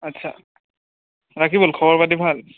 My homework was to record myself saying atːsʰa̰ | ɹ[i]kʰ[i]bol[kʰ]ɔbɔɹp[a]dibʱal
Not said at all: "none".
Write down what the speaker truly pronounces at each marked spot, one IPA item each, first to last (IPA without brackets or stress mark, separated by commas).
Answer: a, i, kʰ, a